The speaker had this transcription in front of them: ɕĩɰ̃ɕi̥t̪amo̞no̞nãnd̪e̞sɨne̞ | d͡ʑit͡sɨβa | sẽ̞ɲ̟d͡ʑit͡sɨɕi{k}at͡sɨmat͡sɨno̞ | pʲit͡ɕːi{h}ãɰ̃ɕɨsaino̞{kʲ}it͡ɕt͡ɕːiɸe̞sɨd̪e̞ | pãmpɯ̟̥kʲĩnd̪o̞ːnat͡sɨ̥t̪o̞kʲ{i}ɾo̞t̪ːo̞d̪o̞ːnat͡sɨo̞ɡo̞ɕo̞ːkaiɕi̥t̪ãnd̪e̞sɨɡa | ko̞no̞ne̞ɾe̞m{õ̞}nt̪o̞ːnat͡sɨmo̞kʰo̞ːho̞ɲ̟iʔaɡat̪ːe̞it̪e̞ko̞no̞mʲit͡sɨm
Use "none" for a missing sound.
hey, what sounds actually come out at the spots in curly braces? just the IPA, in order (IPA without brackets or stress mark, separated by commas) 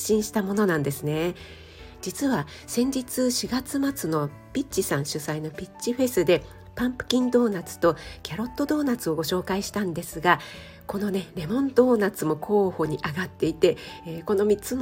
ɡ, s, pʲ, a, õ̞